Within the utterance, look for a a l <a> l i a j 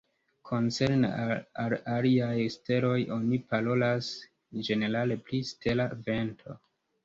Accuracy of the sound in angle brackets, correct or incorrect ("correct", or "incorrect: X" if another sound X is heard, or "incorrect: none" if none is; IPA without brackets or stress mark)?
correct